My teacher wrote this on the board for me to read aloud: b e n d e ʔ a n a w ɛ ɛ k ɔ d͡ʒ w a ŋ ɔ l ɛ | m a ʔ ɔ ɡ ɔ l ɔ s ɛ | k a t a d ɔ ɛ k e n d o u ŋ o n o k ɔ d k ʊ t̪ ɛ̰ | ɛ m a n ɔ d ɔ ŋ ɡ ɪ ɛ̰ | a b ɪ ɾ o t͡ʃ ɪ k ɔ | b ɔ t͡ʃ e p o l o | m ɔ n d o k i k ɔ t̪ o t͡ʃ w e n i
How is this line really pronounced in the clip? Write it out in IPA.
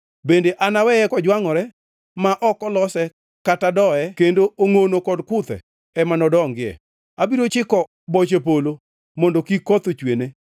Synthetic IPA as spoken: b e n d e ʔ a n a w ɛ ɛ k ɔ d͡ʒ w a ŋ ɔ ɾ ɛ | m a ʔ ɔ k ɔ l ɔ s ɛ | k a t a d ɔ ɛ k e n d o o ŋ o n o k ɔ d k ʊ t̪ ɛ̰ | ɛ m a n ɔ d ɔ ŋ ɡ ɪ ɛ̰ | a b i ɾ o t͡ʃ ɪ k ɔ | b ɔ t͡ʃ e p o l o | m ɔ n d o k i k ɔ t̪ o t͡ʃ w e n e

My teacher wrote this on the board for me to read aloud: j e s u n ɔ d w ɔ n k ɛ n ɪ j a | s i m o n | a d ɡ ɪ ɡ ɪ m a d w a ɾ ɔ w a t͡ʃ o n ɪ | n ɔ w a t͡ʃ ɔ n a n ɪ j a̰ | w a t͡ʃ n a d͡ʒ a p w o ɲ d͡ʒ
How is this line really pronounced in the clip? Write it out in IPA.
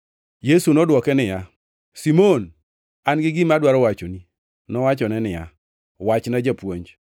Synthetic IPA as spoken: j e s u n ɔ d w ɔ k ɛ n ɪ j a | s i m o n | a n ɡ ɪ ɡ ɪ m a d w a ɾ ɔ w a t͡ʃ o n i | n ɔ w a t͡ʃ ɔ n ɛ n ɪ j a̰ | w a t͡ʃ n a d͡ʒ a p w o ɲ d͡ʒ

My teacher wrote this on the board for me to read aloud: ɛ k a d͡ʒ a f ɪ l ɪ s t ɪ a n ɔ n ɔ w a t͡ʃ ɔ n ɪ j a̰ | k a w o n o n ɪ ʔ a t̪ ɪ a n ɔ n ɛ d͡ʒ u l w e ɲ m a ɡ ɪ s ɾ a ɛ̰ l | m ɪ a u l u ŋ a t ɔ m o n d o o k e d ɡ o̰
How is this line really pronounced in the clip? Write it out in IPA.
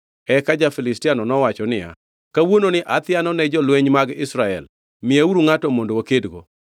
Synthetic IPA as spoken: ɛ k a d͡ʒ a f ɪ l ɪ s t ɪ a n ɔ n ɔ w a t͡ʃ ɔ n ɪ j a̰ | k a w o n o n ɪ ʔ a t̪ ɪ a n ɔ n ɛ d͡ʒ ɔ l w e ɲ m a ɡ ɪ s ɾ a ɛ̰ l | m ɪ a u ɾ u ŋ a t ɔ m o n d o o k e d ɡ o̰

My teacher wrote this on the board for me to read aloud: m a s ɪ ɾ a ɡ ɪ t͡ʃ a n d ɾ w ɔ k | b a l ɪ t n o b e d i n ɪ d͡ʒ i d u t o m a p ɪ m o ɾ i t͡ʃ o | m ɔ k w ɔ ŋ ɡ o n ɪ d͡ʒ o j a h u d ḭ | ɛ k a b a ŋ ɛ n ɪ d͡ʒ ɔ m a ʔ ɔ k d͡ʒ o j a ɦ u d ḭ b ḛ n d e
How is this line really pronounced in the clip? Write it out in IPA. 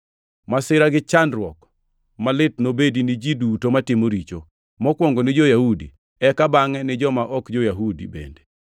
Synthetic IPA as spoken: m a s ɪ ɾ a ɡ ɪ t͡ʃ a n d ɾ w ɔ k | m a l ɪ t n o b e d i n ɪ d͡ʒ i d u t o m a t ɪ m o ɾ i t͡ʃ o | m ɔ k w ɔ ŋ ɡ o n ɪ d͡ʒ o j a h u d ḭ | ɛ k a b a ŋ ɛ n ɪ d͡ʒ ɔ m a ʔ ɔ k d͡ʒ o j a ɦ u d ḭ b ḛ n d e

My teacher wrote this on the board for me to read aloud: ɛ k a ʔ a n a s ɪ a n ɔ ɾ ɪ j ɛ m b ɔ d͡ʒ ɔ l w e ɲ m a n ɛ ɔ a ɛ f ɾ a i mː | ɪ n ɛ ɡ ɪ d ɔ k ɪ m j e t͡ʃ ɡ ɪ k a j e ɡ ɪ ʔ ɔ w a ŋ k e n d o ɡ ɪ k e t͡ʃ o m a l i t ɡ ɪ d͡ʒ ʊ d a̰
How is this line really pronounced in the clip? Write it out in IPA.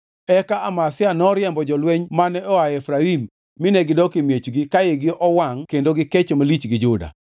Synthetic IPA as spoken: ɛ k a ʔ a m a s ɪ a n ɔ ɾ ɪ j ɛ m b ɔ d͡ʒ ɔ l w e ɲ m a n ɛ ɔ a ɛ f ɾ a i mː | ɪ n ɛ ɡ ɪ d ɔ k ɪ m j e t͡ʃ ɡ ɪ k a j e ɡ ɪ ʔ ɔ w a ŋ k e n d o ɡ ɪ k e t͡ʃ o m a l i t͡ʃ ɡ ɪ d͡ʒ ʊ d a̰

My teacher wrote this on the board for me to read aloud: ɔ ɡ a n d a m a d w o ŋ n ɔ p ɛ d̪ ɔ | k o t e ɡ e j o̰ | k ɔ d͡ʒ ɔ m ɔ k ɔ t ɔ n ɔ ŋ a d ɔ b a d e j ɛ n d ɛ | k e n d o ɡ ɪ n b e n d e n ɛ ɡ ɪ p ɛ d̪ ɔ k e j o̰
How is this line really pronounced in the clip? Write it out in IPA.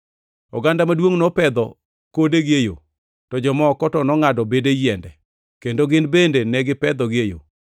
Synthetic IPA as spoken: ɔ ɡ a n d a m a d w o ŋ n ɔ p ɛ d̪ ɔ | k o d e ɡ e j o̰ | t ɔ d͡ʒ ɔ m ɔ k ɔ t ɔ n ɔ ŋ a d ɔ b e d e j ɛ n d ɛ | k e n d o ɡ ɪ n b e n d e n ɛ ɡ ɪ p ɛ d̪ ɔ ɡ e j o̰

